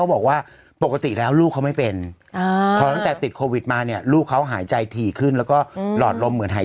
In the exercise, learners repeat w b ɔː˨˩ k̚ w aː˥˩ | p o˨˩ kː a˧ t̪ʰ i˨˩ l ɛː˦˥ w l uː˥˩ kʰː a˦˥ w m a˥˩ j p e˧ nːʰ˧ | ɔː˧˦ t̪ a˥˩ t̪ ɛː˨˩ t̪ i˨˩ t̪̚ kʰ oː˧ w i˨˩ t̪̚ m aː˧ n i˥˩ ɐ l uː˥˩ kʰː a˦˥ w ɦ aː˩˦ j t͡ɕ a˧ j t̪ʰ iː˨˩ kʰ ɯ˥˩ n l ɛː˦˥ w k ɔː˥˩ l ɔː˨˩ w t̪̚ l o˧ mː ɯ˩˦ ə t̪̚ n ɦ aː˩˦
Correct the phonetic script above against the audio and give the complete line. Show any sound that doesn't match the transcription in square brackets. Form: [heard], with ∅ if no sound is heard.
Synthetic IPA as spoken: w b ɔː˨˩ k̚ w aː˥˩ | p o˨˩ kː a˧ [t̪] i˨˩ l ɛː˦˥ w l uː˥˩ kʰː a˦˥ w m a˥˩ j p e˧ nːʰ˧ | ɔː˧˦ t̪ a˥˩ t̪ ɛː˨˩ t̪ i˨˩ t̪̚ kʰ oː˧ w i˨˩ t̪̚ m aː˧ n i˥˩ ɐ l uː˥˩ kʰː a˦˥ w ɦ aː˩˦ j t͡ɕ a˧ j t̪ʰ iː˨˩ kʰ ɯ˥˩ n l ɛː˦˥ w k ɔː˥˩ l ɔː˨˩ [∅] t̪̚ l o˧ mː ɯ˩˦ ə [∅] n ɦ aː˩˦